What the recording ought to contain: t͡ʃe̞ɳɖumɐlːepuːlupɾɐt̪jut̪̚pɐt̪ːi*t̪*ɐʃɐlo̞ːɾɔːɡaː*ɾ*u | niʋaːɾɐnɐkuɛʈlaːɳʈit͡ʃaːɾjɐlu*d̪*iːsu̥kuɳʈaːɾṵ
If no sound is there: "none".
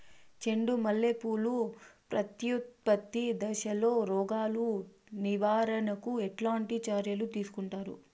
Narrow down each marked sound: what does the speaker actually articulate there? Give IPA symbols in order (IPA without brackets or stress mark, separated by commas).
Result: d̪, l, t̪